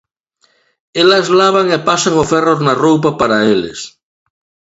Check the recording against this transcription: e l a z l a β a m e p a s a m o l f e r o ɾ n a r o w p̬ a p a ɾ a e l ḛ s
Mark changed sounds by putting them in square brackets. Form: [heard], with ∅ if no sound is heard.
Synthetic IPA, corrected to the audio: e l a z l a β a [ŋ] e p a s a [ŋ] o [∅] f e r o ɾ n a r o w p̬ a p a ɾ a e l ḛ s